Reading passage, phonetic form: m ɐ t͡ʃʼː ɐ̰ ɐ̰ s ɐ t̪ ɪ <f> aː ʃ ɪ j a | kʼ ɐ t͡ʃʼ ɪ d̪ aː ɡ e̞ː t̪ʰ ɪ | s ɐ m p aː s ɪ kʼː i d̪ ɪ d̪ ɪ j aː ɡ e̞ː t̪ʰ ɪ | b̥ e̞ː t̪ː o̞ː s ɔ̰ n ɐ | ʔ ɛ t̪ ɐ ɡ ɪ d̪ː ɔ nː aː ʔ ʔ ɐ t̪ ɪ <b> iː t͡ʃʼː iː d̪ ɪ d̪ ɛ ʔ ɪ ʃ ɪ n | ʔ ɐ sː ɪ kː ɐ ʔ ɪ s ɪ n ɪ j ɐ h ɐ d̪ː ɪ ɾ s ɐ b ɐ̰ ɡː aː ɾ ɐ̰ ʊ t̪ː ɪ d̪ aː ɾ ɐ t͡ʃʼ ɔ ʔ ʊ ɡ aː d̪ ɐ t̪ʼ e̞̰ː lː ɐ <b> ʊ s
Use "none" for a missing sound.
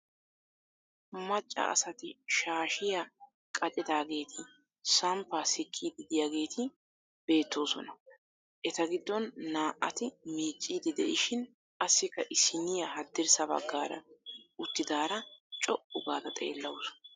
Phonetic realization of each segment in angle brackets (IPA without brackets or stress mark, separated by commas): ʃ, m, w